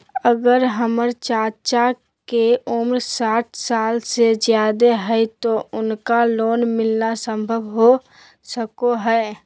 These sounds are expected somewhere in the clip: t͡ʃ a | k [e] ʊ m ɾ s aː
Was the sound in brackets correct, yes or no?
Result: yes